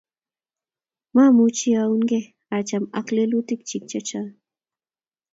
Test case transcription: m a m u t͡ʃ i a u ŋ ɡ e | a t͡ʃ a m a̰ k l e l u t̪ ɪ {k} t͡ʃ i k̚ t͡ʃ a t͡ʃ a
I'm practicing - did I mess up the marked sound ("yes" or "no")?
no